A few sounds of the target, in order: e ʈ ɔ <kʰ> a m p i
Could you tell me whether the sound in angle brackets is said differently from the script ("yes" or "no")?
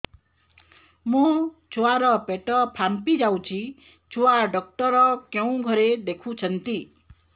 yes